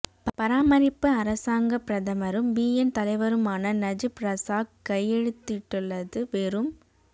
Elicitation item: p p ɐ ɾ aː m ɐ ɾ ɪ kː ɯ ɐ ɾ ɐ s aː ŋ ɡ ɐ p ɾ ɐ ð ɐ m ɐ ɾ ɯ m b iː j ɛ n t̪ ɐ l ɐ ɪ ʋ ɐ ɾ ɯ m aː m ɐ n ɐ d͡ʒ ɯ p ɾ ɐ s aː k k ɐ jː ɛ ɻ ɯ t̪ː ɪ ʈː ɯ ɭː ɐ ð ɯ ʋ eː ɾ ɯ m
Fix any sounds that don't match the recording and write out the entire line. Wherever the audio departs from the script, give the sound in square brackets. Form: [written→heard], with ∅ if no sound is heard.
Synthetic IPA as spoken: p p ɐ ɾ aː m ɐ ɾ ɪ [kː→pː] ɯ ɐ ɾ ɐ s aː ŋ ɡ ɐ p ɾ ɐ ð ɐ m ɐ ɾ ɯ m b iː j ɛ n t̪ ɐ l ɐ ɪ ʋ ɐ ɾ ɯ m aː [m→n] ɐ n ɐ d͡ʒ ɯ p ɾ ɐ s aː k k ɐ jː ɛ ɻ ɯ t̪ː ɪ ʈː ɯ ɭː ɐ ð ɯ ʋ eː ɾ ɯ m